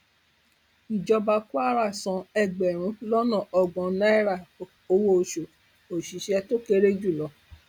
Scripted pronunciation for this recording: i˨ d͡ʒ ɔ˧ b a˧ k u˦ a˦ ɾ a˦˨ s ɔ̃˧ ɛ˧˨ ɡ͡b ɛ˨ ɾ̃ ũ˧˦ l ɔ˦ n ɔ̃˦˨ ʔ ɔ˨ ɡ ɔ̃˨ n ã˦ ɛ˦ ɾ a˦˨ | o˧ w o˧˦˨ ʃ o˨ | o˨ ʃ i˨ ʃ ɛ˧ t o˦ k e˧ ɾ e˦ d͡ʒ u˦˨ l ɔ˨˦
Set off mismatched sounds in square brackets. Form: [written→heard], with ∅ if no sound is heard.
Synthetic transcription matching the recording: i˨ d͡ʒ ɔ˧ b a˧ k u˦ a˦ ɾ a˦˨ s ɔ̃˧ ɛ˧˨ ɡ͡b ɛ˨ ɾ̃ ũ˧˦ l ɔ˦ n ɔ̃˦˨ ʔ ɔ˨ ɡ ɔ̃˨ n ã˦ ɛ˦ ɾ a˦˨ | o˧ w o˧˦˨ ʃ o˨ | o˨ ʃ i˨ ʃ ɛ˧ t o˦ k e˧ ɾ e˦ d͡ʒ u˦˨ l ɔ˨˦